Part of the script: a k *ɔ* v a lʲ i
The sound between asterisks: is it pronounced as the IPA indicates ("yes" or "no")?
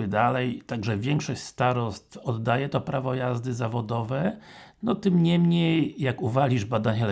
no